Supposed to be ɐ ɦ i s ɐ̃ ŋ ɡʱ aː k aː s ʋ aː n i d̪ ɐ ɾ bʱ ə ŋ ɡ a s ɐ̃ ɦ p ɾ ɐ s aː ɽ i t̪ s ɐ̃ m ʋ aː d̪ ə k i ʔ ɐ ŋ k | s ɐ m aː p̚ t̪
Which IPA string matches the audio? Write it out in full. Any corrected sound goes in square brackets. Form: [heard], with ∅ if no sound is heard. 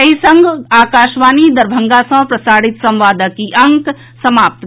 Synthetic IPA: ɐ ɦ i s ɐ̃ ŋ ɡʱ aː k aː [ʃ] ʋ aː n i d̪ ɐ ɾ bʱ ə ŋ ɡ a s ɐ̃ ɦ p ɾ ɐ s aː ɽ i t̪ s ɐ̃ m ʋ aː d̪ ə k i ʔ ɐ ŋ k | s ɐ m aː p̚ t̪